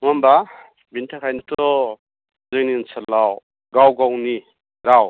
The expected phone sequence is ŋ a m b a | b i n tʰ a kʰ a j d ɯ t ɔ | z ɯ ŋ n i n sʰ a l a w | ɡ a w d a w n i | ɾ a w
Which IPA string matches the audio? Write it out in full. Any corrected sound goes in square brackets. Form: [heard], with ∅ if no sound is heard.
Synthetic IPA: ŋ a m b a | b i n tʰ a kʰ a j [n] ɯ t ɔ | z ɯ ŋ n i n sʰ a l a w | ɡ a w [ɡ] a w n i | ɾ a w